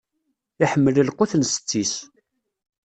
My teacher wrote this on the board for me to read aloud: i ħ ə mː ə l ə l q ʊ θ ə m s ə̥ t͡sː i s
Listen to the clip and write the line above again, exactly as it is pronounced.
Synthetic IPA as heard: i ħ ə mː ə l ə l q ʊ θ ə n s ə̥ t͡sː i s